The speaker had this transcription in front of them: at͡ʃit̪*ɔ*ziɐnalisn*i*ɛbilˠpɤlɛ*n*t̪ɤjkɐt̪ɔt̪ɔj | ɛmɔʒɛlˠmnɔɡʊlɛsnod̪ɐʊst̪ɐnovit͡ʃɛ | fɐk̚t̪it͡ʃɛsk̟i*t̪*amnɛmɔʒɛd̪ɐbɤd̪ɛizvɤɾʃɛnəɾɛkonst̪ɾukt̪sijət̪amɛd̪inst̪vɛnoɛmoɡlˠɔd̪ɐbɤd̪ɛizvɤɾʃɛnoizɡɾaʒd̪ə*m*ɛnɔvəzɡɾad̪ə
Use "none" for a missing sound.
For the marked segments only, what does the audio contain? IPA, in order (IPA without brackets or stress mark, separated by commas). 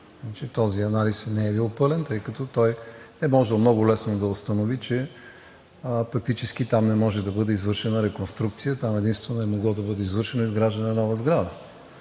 ɔ, ɛ, n, t̪, n